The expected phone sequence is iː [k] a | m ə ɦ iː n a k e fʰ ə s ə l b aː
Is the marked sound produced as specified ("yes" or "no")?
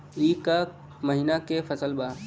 yes